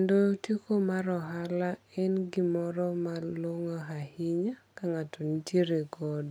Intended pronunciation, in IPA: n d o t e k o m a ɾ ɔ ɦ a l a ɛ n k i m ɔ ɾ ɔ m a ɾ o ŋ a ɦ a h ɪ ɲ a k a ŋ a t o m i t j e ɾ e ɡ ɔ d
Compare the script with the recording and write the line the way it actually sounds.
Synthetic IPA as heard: n d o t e k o m a ɾ ɔ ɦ a l a ɛ n ɡ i m ɔ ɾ ɔ m a l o ŋ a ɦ a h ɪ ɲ a k a ŋ a t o n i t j e ɾ e ɡ ɔ d